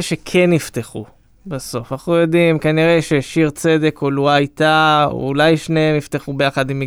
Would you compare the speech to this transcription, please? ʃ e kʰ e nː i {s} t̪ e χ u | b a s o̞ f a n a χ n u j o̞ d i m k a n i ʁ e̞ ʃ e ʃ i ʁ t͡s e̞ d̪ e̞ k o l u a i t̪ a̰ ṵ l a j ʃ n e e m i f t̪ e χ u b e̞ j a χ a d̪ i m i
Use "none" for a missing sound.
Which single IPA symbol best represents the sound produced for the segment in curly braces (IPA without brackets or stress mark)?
f